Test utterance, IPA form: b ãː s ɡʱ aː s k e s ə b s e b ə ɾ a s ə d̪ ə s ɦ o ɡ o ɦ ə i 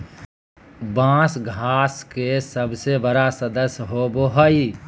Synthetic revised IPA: b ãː s ɡʱ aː s k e s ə b s e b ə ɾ a s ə d̪ ə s ɦ o b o ɦ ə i

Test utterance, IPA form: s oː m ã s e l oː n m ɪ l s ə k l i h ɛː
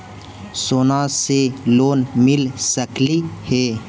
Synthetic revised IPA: s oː n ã s e l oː n m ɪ l s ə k l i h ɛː

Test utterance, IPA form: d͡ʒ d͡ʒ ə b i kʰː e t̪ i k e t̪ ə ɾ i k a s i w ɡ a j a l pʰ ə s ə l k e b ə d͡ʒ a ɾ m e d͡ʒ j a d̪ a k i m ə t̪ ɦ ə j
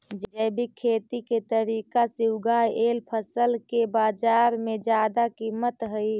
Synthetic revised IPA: d͡ʒ d͡ʒ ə b i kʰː e t̪ i k e t̪ ə ɾ i k a s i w ɡ a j e l pʰ ə s ə l k e b a d͡ʒ a ɾ m e d͡ʒ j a d̪ a k i m ə t̪ ɦ ə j

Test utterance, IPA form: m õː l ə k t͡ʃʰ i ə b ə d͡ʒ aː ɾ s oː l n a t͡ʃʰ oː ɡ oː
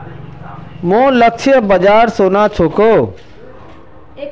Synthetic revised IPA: m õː l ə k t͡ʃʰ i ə b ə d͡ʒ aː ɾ s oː n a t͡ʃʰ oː k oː

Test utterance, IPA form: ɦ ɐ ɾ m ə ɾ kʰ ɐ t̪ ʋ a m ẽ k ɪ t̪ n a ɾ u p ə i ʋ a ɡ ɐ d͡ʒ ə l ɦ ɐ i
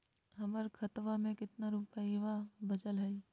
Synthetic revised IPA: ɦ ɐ m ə ɾ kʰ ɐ t̪ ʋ a m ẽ k ɪ t̪ n a ɾ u p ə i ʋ a b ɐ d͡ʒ ə l ɦ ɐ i

